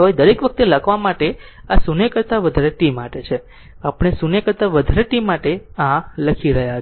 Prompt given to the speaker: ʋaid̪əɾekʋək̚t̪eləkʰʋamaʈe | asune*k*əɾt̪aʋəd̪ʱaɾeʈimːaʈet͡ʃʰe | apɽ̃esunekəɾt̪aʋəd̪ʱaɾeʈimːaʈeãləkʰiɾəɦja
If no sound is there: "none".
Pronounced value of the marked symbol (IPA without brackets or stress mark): k